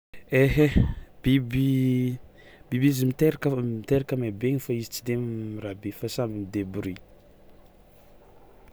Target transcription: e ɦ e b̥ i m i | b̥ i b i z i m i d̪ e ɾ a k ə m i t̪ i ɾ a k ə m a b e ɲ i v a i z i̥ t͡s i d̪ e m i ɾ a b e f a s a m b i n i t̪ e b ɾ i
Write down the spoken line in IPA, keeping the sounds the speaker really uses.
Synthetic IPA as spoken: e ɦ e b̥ i b i | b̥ i b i z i m i t̪ e ɾ a k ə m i t̪ e ɾ a k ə m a b e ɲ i f a i z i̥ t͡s i d̪ e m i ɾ a b e f a s a m b i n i d̪ e b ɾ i